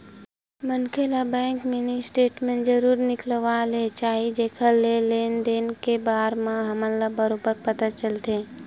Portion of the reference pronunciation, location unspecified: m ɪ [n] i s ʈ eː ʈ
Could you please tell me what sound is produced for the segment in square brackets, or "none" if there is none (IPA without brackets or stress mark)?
n